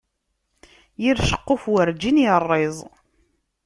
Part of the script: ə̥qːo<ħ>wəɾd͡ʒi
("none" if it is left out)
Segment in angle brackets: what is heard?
f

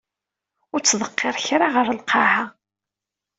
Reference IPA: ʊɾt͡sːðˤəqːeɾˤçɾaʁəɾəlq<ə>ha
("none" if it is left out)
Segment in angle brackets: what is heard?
ɑ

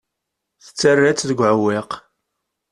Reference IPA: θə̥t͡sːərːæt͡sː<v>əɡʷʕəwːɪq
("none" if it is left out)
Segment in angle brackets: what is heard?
ð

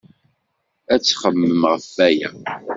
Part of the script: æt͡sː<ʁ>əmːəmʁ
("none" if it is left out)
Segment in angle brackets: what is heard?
χ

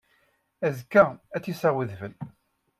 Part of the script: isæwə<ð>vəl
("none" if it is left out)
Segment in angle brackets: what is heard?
ð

